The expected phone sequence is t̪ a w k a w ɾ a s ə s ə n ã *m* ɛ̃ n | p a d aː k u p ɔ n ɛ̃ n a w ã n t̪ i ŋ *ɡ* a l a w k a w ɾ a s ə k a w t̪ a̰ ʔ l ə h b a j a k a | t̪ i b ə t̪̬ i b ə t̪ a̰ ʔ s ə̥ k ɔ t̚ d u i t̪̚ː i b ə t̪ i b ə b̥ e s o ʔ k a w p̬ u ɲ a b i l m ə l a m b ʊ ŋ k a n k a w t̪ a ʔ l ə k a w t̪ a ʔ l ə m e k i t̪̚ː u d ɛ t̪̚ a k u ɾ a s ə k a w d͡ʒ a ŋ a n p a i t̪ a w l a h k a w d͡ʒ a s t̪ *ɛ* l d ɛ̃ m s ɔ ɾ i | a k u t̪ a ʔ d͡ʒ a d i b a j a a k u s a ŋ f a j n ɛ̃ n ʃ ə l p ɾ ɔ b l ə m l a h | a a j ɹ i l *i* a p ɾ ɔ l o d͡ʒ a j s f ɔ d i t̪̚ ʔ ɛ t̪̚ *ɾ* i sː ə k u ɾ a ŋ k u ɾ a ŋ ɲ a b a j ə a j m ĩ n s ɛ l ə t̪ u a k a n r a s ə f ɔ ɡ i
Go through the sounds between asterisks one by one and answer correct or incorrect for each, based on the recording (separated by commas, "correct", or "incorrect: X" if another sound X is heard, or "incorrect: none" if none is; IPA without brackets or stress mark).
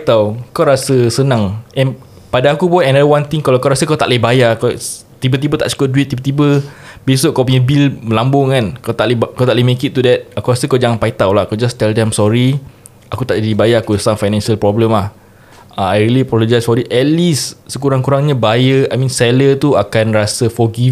incorrect: ŋ, incorrect: k, correct, correct, incorrect: l